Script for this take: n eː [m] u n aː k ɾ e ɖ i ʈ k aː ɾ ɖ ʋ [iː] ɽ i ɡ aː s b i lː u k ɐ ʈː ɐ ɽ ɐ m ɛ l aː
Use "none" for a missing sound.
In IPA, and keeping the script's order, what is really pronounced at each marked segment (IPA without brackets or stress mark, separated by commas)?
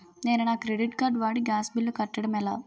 n, aː